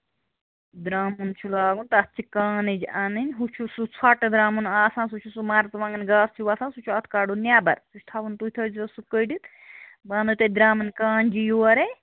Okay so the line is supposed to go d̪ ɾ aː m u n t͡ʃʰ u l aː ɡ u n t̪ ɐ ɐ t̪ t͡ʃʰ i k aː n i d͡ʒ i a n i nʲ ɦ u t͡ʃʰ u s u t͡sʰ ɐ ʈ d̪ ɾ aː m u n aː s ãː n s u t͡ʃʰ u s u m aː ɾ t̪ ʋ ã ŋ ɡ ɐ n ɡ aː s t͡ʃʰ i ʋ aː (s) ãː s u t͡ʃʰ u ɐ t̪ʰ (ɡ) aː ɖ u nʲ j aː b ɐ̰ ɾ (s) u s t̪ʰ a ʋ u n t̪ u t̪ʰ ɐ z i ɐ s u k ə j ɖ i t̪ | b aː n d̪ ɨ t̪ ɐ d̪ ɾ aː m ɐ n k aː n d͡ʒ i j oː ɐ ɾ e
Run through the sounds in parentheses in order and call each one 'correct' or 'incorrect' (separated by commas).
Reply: correct, incorrect, correct